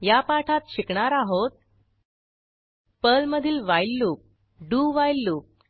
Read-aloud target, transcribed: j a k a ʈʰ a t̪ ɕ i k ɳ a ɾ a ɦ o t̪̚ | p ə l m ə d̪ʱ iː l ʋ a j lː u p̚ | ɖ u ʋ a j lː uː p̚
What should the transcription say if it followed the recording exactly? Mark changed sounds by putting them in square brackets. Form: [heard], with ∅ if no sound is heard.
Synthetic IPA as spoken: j a [p] a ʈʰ a t̪ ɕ i k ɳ a ɾ a ɦ o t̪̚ | p ə l m ə d̪ʱ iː l ʋ a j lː u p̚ | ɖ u ʋ a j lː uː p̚